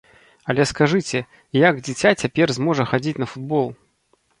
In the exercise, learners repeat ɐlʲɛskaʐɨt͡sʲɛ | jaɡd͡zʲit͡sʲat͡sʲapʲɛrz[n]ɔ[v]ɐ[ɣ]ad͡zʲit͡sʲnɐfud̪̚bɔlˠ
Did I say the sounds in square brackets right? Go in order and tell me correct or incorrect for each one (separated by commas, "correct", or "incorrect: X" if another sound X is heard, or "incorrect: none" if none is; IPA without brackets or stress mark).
incorrect: m, incorrect: ʐ, incorrect: x